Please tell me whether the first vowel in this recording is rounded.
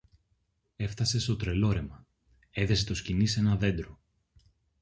no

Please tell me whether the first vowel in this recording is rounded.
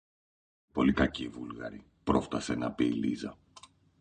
yes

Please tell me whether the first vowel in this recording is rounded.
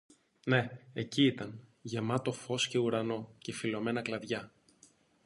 no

